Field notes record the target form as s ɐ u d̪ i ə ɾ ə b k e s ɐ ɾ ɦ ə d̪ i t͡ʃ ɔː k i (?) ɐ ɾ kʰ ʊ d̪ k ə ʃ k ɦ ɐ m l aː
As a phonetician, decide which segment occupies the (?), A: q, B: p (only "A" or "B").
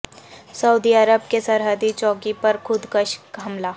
B